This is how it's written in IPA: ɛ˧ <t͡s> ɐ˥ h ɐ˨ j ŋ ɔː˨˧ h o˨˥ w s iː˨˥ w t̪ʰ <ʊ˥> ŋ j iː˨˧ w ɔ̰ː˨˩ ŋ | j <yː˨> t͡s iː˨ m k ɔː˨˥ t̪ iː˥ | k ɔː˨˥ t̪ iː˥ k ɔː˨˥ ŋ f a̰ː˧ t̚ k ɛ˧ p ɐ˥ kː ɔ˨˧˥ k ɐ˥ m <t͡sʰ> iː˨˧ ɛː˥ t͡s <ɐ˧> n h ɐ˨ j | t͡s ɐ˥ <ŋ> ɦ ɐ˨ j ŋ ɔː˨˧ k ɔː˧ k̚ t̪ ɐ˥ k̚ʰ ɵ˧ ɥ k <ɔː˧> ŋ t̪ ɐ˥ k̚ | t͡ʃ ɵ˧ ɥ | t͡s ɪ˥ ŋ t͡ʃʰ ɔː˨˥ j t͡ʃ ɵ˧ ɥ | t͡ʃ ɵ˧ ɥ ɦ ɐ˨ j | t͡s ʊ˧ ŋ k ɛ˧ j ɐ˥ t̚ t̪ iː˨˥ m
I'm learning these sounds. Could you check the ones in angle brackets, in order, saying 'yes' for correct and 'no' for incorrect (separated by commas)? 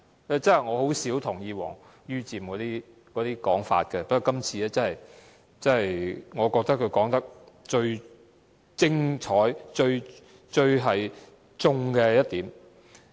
yes, no, no, yes, no, no, no